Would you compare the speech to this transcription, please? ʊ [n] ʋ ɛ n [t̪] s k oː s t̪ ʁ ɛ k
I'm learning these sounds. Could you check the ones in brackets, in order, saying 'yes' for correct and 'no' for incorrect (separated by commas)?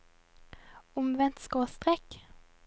no, yes